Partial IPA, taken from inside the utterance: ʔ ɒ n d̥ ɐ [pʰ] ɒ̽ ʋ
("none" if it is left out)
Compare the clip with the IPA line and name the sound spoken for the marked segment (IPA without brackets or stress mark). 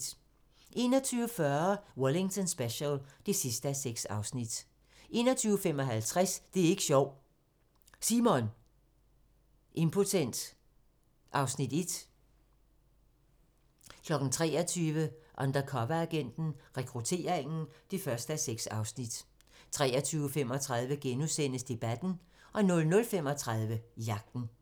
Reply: kʰ